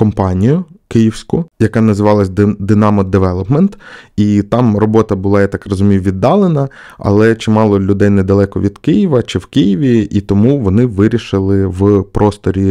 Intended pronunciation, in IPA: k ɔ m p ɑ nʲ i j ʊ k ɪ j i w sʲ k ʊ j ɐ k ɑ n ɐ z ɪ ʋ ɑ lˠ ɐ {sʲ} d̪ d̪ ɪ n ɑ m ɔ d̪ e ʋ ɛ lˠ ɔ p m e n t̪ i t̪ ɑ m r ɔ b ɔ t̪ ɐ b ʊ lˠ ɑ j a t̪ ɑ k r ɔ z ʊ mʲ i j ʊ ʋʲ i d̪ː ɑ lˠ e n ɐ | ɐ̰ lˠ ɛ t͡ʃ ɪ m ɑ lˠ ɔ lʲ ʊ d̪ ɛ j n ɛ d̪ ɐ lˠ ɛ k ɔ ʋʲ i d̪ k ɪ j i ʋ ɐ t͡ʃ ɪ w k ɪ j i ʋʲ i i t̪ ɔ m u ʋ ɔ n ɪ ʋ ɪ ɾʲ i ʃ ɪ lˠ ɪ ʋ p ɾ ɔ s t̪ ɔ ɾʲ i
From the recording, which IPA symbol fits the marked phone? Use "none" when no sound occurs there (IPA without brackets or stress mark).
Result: sʲ